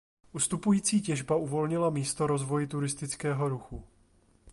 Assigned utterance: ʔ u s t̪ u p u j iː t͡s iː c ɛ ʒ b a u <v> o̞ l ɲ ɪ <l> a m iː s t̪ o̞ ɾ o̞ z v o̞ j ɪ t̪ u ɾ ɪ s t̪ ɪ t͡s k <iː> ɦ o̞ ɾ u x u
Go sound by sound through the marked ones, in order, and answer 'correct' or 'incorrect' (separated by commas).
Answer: correct, correct, incorrect